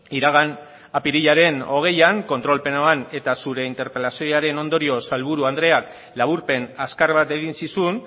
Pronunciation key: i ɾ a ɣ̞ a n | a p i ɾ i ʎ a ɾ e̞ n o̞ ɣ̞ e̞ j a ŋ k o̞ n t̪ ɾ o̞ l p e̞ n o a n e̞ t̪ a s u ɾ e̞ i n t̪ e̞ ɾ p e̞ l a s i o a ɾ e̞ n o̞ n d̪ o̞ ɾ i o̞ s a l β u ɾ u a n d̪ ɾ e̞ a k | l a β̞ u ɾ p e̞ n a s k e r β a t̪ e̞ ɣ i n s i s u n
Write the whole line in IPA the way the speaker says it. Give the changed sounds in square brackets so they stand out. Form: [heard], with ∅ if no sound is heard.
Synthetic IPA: i ɾ a ɣ̞ a n | a p i ɾ i ʎ a ɾ e̞ n o̞ ɣ̞ e̞ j a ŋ k o̞ n t̪ ɾ o̞ l p e̞ n o a n e̞ t̪ a s u ɾ e̞ i n t̪ e̞ ɾ p e̞ l a s i o a ɾ e̞ n o̞ n d̪ o̞ ɾ i o̞ s a l β u ɾ u a n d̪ ɾ e̞ a k | l a β̞ u ɾ p e̞ n a s k [a] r β a t̪ e̞ ɣ i n s i s u n